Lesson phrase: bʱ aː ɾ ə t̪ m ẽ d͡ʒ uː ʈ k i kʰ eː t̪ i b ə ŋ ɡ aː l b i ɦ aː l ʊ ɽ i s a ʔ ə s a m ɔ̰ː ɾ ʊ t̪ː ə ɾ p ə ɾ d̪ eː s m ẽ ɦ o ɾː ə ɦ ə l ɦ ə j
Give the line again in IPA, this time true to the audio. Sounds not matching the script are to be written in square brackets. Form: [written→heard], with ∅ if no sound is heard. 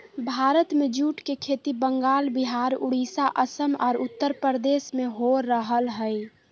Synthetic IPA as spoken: bʱ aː ɾ ə t̪ m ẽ d͡ʒ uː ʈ k [i→e] kʰ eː t̪ i b ə ŋ ɡ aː l b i ɦ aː [l→ɾ] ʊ ɽ i s a ʔ ə s [a→ə] m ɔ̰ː ɾ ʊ t̪ː ə ɾ p ə ɾ d̪ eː s m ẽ ɦ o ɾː ə ɦ ə l ɦ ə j